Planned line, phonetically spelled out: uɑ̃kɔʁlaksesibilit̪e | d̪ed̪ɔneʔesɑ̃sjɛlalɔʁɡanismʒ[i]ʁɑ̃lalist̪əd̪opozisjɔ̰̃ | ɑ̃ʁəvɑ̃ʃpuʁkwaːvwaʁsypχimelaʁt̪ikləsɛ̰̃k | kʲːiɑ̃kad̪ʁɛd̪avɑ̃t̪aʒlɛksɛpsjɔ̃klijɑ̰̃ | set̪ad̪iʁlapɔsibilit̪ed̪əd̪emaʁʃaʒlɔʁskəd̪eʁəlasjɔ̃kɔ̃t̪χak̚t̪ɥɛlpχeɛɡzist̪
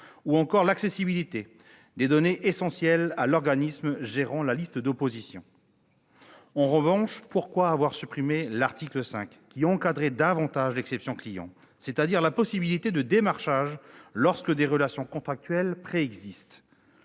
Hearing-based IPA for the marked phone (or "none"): e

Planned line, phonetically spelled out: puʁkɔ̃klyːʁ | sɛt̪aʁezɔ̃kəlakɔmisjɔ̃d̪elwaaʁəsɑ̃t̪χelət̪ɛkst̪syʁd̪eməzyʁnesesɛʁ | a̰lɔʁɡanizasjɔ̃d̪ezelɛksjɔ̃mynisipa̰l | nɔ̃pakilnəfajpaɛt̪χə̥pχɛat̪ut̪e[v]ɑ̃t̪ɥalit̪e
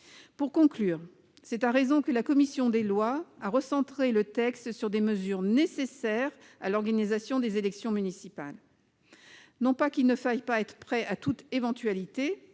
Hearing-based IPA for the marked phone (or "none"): v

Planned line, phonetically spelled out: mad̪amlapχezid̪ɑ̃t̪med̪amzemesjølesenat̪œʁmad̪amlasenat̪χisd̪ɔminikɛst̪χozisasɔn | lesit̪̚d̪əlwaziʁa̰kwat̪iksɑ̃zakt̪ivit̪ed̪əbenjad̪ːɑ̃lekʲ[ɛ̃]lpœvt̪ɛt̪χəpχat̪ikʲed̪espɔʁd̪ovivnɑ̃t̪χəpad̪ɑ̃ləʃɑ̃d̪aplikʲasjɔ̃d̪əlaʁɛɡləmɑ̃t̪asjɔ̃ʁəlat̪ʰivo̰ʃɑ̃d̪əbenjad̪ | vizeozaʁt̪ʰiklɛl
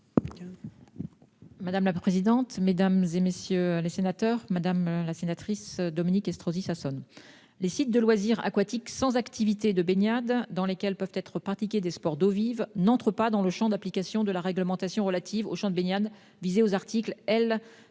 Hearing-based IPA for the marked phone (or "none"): ɛ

